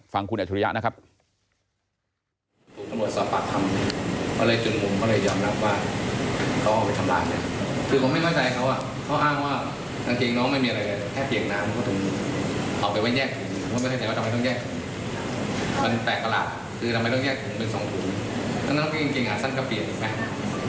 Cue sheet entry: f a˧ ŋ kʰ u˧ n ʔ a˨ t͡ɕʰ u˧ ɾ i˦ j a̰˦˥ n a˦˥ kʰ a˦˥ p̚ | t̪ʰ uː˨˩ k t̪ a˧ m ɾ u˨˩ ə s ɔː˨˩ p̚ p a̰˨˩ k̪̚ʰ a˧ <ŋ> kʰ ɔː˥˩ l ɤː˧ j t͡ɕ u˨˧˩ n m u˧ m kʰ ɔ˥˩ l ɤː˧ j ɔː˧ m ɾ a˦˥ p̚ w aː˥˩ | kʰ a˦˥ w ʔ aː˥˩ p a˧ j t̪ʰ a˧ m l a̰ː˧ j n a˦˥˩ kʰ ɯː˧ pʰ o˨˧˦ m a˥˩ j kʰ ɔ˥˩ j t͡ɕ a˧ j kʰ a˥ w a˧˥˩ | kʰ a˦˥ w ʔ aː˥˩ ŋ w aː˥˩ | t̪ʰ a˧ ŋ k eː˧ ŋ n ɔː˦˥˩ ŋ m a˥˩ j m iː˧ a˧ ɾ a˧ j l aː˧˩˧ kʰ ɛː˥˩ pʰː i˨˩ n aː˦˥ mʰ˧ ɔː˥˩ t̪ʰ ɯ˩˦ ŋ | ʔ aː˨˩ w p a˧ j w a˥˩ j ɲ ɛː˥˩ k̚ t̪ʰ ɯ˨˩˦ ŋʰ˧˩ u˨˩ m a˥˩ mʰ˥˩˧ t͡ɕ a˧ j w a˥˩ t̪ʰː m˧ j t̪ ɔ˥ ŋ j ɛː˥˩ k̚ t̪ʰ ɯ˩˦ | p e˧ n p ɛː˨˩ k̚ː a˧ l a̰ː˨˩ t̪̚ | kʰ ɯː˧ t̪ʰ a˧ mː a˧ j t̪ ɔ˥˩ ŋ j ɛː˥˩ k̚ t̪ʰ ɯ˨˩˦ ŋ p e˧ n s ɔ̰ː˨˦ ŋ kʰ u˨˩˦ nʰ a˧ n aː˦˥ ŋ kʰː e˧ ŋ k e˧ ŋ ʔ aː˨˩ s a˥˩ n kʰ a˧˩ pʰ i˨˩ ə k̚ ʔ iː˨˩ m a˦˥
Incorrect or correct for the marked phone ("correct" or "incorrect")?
incorrect